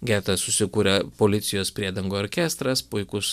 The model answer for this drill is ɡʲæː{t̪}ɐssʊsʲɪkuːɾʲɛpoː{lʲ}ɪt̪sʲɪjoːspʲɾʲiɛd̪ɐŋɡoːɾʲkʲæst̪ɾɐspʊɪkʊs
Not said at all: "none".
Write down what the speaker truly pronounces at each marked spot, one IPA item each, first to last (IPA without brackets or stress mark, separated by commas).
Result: t̪, lʲ